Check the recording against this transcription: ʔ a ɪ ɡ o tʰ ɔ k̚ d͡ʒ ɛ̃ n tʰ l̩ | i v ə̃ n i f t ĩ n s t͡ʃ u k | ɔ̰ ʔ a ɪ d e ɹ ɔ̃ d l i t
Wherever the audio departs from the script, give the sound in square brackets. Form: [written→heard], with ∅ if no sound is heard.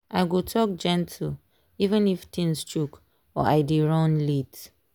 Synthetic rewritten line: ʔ a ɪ ɡ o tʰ ɔ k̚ d͡ʒ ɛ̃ n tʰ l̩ | i v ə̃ n i f t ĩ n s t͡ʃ u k | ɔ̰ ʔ a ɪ d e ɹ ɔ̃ [d→n] l i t